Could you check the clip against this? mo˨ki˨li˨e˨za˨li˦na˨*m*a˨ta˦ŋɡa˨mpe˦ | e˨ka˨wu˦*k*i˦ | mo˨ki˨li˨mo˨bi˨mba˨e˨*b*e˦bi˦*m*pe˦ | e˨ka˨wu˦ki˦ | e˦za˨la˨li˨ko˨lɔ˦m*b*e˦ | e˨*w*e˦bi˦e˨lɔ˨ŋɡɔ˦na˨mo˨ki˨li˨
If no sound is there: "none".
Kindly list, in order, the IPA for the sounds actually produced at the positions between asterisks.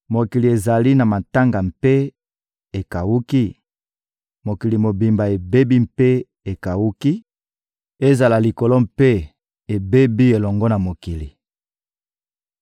m, k, b, m, p, b

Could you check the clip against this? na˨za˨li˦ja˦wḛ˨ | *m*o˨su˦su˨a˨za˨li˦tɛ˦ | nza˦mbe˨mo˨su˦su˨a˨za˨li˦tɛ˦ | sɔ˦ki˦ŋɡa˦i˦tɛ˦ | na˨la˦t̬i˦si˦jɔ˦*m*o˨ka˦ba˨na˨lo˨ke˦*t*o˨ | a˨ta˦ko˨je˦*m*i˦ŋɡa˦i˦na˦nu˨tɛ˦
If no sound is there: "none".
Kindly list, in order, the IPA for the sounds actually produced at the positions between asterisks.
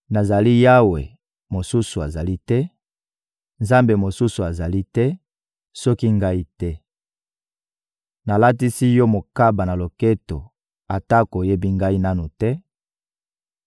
m, m, t, b

